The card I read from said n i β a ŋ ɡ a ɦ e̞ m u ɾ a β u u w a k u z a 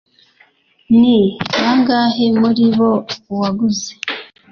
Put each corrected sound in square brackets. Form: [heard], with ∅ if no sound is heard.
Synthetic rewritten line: n i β a ŋ ɡ a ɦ e̞ m u ɾ [i] β [o] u w a [ɡ] u z [e]